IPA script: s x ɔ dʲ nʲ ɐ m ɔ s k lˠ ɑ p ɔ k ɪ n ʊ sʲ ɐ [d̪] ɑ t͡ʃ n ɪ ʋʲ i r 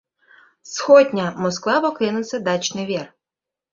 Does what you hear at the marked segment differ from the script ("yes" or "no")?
no